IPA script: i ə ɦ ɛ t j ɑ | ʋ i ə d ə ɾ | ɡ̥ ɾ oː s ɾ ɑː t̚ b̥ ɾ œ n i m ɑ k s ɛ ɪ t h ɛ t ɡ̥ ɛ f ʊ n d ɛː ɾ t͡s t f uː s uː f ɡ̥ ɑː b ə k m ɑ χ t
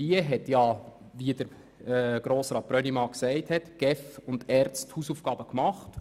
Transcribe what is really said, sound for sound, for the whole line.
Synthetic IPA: i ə ɦ ɛ t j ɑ | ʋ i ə d ə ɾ | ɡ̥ ɾ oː s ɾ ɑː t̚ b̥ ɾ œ n i m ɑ k s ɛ ɪ t h ɛ t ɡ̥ ɛ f ʊ n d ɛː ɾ t͡s t h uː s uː f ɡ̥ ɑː b ə k m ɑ χ t

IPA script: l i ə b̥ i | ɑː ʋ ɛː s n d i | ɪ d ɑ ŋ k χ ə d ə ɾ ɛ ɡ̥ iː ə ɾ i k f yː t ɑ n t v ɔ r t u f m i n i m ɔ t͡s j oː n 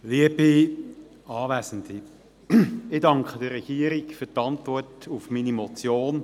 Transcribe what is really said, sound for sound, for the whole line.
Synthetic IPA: l i ə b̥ i | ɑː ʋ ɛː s n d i | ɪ d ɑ ŋ k χ ə d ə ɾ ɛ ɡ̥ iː ə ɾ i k f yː t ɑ n t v ɔ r t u f m i n i m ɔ t͡s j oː n

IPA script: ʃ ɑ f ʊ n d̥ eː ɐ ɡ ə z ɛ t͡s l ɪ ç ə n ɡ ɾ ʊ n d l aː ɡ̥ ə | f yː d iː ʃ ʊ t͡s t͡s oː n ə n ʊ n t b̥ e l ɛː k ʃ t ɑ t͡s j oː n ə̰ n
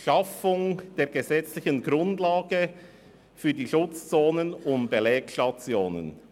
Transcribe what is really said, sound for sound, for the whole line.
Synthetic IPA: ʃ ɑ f ʊ ŋ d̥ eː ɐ ɡ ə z ɛ t͡s l ɪ ç ə n ɡ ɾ ʊ n d l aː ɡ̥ ə | f yː d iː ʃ ʊ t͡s t͡s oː n ə n ʊ n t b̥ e l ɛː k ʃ t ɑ t͡s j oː n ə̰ n

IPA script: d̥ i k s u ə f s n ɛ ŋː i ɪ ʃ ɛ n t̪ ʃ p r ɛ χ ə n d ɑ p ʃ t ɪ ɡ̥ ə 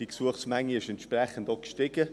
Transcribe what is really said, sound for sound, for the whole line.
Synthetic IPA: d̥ i k s u ə χ s m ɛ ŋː i ɪ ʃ ɛ n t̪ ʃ p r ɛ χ ə n d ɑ k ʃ t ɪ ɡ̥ ə

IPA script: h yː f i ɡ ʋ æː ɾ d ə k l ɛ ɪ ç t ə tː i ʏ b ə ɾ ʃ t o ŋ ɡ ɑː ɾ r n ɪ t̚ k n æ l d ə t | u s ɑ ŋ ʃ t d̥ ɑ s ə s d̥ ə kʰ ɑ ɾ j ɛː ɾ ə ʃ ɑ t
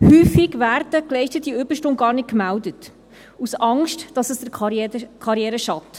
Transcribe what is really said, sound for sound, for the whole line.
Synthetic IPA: h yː f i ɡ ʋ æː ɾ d ə k l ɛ ɪ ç t ə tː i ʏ b ə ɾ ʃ t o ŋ ɡ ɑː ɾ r n ɪ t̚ k m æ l d ə t | u s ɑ ŋ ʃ t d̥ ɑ s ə s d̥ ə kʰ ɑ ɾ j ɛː ɾ ə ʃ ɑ t

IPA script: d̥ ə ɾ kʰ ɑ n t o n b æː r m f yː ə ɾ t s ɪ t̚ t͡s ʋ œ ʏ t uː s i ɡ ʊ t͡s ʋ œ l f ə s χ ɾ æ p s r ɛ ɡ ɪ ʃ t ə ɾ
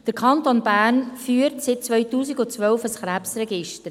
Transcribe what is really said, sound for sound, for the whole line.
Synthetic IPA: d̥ ə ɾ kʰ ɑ n t o n b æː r n f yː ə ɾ t s ɪ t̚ t͡s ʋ œ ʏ t uː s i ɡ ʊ t͡s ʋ œ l f ə s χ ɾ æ p s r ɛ ɡ ɪ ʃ t ə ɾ

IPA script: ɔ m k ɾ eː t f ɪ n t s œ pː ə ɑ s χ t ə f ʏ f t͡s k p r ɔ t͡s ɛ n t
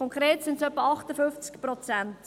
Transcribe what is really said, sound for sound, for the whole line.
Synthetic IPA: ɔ ŋ k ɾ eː t s ɪ n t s œ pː ə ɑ χ t ə f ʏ f t͡s k p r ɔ t͡s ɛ n t

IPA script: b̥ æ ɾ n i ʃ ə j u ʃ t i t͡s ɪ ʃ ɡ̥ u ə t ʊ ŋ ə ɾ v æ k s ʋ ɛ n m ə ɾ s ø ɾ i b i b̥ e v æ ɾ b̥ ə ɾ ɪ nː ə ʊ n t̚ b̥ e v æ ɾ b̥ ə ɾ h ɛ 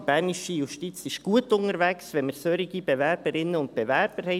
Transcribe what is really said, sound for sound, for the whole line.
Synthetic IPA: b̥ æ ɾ n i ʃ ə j u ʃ t i t͡s ɪ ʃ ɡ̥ u ə t ʊ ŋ ə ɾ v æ k s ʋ ɛ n m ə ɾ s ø ɾ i ɡ i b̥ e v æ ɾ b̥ ə ɾ ɪ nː ə ʊ n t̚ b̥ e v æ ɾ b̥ ə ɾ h ɛ

